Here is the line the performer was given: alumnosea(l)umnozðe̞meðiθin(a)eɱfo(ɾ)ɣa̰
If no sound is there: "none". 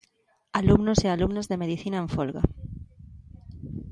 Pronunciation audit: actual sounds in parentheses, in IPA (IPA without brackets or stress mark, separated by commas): l, a, l